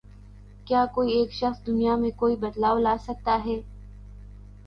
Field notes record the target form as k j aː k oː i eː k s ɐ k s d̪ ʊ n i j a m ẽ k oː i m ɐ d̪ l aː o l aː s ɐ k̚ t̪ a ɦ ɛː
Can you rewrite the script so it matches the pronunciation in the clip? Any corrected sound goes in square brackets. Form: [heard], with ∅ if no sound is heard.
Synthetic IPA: k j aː k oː i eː k [ʃ] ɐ [x] s d̪ ʊ n i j a m ẽ k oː i [b] ɐ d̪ l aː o l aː s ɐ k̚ t̪ a ɦ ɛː